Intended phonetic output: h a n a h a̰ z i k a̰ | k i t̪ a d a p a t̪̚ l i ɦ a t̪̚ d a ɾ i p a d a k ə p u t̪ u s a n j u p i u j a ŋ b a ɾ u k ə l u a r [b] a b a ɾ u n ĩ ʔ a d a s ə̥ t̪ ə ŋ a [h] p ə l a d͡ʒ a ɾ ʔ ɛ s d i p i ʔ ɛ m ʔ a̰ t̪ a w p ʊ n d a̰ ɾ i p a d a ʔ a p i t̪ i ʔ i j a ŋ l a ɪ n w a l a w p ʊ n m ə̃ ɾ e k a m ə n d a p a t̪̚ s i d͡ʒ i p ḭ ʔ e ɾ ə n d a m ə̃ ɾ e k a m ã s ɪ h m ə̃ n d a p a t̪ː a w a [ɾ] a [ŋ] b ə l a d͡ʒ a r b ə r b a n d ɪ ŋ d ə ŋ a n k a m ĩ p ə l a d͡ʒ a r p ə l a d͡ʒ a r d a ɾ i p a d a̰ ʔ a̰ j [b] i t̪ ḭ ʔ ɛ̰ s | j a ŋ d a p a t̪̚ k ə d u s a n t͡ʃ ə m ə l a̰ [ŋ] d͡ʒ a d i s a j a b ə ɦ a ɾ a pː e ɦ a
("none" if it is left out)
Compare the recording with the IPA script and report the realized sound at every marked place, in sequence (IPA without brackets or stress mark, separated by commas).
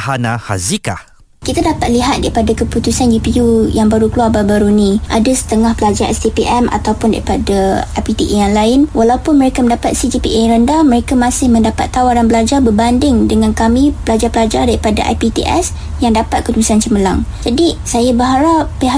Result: b, h, ɾ, n, p, ŋ